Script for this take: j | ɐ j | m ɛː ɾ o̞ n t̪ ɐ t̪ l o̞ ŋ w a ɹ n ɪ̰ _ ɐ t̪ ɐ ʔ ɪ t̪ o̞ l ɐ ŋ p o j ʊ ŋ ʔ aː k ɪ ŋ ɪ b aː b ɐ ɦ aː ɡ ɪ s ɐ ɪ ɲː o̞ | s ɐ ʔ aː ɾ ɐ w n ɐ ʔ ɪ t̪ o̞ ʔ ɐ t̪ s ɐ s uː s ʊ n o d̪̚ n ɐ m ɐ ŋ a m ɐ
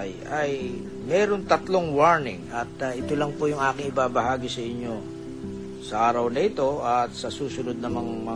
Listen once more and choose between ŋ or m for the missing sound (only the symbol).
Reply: ŋ